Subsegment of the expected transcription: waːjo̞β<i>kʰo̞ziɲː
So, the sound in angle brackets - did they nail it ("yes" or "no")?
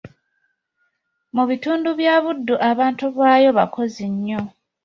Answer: no